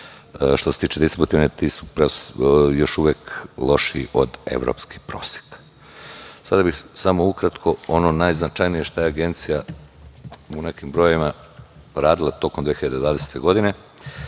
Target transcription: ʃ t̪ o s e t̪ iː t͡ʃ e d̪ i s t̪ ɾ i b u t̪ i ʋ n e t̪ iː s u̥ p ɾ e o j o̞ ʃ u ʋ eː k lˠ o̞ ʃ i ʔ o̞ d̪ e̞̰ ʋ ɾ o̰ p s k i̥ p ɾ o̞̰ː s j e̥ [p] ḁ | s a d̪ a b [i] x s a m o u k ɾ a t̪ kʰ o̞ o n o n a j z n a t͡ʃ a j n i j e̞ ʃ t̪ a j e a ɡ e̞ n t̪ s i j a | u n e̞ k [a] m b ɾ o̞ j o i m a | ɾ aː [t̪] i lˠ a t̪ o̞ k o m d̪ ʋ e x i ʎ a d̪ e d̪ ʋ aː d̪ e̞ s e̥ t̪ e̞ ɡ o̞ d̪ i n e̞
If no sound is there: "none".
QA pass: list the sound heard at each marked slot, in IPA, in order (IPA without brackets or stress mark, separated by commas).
k, i, i, d̪